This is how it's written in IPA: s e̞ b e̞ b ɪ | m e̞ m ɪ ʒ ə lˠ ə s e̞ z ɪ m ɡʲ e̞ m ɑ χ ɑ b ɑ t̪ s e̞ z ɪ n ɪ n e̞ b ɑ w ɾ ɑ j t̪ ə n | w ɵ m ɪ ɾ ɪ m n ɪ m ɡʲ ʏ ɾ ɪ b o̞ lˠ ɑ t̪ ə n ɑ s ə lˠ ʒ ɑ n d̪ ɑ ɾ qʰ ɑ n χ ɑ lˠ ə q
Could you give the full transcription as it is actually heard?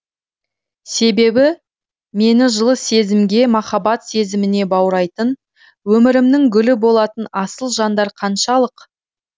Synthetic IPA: s e̞ b e̞ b ɪ | m e̞ n ɪ ʒ ə lˠ ə s e̞ z ɪ m ɡʲ e̞ m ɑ χ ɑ b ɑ t̪ s e̞ z ɪ m ɪ n e̞ b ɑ w ɾ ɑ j t̪ ə n | w ɵ m ɪ ɾ ɪ m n ɪ ŋ ɡʲ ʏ l ɪ b o̞ lˠ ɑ t̪ ə n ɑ s ə lˠ ʒ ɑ n d̪ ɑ ɾ qʰ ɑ n ʃ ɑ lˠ ə q